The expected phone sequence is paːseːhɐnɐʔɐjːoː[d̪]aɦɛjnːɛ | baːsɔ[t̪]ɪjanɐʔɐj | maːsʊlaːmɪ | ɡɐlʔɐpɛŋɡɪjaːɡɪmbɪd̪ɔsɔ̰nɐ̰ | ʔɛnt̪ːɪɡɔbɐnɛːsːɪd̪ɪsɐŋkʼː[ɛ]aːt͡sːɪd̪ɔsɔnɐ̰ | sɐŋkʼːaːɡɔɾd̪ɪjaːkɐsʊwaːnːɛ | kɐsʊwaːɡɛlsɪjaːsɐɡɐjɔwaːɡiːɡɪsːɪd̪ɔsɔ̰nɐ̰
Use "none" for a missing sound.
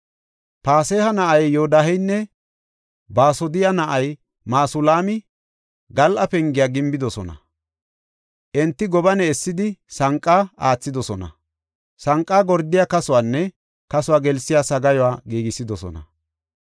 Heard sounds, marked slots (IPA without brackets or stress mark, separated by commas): d̪, d̪, a